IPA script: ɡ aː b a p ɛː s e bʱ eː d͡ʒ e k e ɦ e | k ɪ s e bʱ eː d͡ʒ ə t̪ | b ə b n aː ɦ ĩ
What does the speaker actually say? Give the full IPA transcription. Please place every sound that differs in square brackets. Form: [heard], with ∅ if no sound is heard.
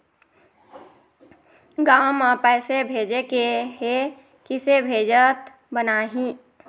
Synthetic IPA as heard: ɡ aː [m] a p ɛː s e bʱ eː d͡ʒ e k e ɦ e | k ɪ s e bʱ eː d͡ʒ ə t̪ | b ə [∅] n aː ɦ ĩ